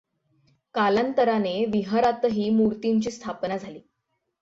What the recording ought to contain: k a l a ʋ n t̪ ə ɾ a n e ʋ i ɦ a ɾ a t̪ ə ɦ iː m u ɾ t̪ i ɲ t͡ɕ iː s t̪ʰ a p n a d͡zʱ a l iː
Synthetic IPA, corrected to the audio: k a l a n t̪ ə ɾ a n e ʋ i ɦ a ɾ a t̪ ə ɦ iː m u ɾ t̪ i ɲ t͡ɕ iː s t̪ʰ a p n a d͡zʱ a l iː